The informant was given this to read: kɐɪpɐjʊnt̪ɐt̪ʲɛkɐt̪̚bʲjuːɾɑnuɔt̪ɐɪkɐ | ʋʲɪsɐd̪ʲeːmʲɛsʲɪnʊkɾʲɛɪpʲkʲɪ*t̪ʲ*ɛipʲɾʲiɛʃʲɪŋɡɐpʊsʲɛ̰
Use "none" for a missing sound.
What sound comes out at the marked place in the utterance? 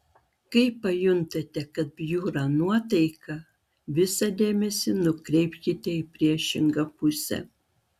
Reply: t̪ʲ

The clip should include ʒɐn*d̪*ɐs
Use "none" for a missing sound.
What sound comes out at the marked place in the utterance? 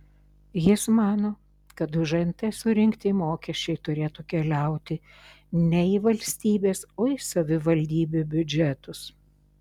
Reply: t̪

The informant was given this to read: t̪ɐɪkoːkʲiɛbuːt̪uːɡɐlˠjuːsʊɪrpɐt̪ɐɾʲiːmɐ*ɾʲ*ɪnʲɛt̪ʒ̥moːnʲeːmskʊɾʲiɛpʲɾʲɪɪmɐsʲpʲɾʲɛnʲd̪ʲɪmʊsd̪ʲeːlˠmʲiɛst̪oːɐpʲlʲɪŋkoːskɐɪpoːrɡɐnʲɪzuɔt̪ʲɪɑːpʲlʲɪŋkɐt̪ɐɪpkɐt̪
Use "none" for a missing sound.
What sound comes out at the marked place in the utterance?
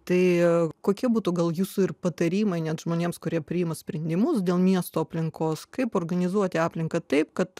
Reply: none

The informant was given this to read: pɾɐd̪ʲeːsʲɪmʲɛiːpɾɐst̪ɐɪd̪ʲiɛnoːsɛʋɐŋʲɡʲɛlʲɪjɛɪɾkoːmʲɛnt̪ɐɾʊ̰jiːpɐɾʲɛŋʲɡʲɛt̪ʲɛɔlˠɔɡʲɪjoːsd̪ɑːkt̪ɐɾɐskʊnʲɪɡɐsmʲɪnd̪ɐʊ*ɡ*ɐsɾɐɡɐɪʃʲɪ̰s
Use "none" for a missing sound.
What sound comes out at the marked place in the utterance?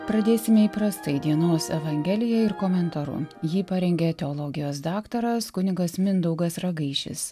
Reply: ɡ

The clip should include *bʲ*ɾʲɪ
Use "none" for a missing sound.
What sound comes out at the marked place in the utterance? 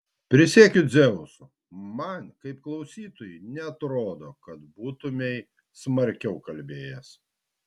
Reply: pʲ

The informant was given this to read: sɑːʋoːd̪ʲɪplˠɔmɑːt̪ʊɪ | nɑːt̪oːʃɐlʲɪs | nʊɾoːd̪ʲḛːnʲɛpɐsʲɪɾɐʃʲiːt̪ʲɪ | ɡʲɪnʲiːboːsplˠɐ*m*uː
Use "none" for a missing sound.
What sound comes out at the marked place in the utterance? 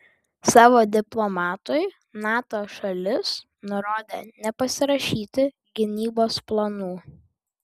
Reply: n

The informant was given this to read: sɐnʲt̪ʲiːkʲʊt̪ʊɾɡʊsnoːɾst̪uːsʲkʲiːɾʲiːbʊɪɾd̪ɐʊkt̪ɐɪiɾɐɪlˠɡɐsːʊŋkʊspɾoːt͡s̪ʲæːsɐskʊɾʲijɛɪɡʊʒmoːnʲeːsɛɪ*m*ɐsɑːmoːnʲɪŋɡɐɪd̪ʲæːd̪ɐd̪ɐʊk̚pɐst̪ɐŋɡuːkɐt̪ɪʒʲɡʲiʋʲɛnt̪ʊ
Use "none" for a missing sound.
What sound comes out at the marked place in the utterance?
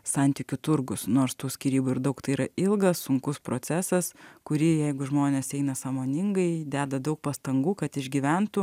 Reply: n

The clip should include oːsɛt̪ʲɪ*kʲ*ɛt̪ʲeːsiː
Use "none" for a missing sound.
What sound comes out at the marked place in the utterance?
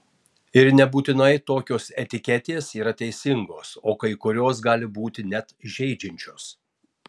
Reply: kʲ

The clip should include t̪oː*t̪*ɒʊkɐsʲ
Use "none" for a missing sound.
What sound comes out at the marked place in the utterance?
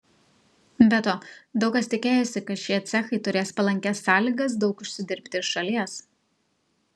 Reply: d̪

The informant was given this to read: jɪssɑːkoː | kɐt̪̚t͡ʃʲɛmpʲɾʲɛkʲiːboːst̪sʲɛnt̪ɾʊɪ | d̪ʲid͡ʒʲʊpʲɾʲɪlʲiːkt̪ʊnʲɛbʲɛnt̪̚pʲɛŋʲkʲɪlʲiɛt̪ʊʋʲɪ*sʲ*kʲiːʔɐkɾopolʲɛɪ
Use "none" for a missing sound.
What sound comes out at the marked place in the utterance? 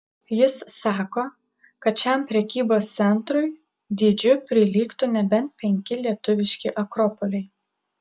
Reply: ʃʲ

